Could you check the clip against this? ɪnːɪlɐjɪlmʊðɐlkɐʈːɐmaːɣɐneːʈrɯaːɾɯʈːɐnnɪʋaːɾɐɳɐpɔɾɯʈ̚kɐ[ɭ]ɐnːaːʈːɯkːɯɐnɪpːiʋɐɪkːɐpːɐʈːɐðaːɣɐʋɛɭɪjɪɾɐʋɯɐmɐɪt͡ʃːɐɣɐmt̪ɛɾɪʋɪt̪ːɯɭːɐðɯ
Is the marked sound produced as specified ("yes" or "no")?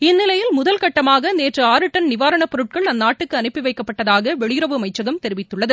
yes